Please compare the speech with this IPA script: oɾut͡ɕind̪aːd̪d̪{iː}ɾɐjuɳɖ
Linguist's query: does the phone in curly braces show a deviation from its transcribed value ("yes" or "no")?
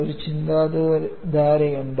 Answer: yes